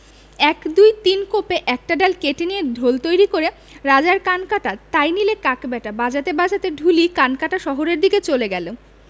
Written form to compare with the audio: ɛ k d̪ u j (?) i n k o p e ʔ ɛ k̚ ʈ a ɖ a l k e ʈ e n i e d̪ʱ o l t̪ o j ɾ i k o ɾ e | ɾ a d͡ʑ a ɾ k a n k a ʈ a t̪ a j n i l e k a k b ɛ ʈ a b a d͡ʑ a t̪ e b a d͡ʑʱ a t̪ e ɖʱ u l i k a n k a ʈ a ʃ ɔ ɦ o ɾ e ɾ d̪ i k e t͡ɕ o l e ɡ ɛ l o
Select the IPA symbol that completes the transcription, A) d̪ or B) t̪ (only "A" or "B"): B